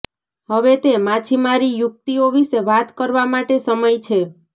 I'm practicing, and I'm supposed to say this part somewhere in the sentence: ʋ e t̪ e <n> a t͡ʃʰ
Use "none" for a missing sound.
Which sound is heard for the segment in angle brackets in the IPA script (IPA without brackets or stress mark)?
m